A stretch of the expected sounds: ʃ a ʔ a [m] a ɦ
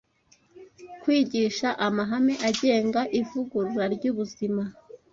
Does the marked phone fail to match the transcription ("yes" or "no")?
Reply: no